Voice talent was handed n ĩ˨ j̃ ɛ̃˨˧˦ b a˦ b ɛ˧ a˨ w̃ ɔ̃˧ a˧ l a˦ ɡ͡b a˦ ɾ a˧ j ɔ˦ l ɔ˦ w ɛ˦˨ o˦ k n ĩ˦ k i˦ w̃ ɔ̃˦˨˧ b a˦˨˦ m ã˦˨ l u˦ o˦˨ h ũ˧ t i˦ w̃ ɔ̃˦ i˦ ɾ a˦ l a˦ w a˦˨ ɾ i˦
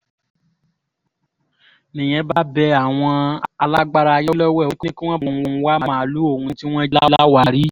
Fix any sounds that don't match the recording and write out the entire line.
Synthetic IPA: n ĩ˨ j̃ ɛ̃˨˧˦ b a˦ b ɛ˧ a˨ w̃ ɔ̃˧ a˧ l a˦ ɡ͡b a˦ ɾ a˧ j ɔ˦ l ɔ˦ w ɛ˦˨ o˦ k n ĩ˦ k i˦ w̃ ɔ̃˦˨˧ w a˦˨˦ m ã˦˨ l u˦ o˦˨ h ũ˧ t i˦ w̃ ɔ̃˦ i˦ l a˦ l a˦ w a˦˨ ɾ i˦